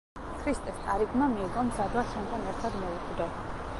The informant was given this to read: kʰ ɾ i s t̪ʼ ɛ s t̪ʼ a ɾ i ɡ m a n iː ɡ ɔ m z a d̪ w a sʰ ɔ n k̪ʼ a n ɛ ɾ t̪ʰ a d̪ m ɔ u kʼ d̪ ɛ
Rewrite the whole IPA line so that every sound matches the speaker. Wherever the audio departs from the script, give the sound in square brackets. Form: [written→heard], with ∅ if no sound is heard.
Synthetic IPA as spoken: kʰ ɾ i s t̪ʼ ɛ s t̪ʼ a ɾ i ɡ m a [n→m] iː ɡ ɔ m z a d̪ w a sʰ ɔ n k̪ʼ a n ɛ ɾ t̪ʰ a d̪ m ɔ u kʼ d̪ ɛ